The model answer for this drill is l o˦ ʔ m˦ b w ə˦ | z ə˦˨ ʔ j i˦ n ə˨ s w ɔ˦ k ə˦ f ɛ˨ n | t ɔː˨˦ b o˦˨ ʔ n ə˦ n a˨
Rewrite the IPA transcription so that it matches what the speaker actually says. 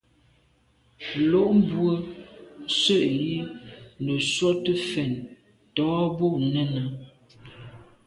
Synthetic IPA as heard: l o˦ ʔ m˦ b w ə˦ | s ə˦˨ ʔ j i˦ n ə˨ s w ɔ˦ t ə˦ f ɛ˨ n | t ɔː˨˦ b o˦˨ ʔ n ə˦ n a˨